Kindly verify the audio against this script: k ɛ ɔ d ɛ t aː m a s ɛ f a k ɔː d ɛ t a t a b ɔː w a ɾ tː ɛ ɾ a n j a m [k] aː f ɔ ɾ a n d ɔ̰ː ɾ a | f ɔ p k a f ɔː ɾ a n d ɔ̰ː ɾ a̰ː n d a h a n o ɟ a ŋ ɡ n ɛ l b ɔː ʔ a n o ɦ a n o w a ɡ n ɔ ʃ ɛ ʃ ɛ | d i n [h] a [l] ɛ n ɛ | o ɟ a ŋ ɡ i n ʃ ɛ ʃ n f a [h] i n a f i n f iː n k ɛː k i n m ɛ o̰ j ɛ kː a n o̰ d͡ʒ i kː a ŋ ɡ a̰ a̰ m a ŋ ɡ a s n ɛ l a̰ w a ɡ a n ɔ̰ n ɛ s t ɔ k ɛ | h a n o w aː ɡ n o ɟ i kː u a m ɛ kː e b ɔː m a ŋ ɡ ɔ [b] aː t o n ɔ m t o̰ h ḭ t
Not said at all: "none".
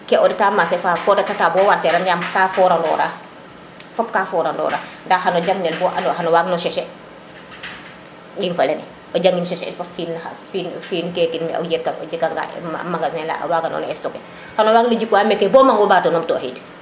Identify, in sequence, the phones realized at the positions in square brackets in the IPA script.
k, f, l, f, b

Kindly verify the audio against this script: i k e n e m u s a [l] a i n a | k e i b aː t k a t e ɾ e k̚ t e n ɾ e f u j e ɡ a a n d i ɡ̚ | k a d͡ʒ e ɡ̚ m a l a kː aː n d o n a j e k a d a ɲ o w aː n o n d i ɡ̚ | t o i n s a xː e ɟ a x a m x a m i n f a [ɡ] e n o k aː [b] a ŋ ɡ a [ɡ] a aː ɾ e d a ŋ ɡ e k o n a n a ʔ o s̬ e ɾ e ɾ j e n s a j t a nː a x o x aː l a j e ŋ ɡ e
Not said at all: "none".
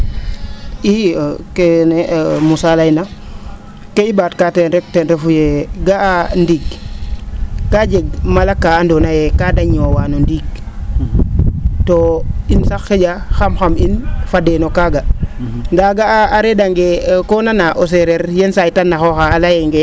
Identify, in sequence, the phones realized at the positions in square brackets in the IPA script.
l, d, ɡ, ɡ

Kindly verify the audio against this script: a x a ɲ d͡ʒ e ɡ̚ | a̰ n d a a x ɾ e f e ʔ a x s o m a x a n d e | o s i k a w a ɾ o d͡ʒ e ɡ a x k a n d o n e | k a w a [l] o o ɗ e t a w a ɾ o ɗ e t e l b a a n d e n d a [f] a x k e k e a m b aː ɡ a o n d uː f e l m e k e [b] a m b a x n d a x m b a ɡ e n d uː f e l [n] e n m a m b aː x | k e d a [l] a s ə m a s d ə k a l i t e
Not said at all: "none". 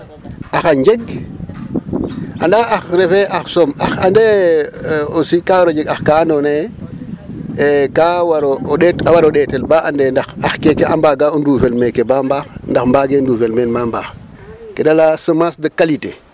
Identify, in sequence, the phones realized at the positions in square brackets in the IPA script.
ɾ, x, b, m, l

